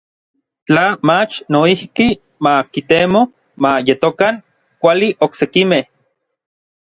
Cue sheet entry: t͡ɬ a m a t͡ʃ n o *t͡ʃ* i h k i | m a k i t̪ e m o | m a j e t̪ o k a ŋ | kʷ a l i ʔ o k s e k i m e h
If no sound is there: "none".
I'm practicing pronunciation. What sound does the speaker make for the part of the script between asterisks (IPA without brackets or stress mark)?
none